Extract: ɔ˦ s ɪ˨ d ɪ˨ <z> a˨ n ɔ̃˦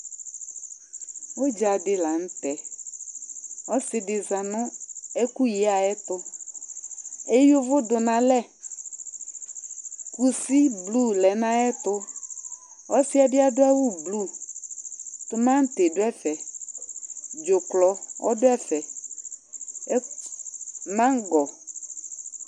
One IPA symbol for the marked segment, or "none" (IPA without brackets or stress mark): z